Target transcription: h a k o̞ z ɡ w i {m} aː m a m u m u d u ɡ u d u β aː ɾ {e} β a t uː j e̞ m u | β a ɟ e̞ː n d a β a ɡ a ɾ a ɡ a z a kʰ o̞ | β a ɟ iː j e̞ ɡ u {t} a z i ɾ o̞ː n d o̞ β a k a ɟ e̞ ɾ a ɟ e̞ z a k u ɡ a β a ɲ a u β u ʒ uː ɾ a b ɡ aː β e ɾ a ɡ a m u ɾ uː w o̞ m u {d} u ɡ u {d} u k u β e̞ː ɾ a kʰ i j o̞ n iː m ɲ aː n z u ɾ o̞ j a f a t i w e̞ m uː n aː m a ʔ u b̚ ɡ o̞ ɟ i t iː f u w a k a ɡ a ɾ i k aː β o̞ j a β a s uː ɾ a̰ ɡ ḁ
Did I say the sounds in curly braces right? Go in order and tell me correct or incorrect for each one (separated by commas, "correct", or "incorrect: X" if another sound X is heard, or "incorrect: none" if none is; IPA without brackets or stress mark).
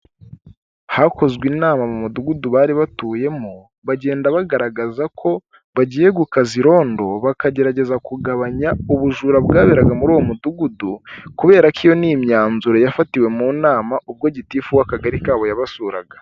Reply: incorrect: n, incorrect: i, incorrect: k, correct, correct